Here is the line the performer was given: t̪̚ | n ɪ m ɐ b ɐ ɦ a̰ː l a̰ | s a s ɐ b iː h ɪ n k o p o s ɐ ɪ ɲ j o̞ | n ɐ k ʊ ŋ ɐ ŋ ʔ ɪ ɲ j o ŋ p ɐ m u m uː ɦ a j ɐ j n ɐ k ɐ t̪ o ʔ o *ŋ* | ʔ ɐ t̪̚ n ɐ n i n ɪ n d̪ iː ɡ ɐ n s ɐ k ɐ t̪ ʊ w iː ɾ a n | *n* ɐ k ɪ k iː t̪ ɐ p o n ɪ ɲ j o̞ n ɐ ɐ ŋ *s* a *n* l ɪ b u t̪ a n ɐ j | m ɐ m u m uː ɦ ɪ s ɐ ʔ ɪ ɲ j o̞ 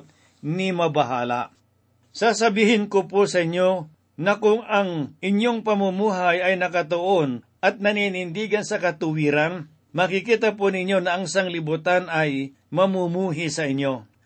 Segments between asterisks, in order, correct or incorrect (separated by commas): incorrect, incorrect, correct, incorrect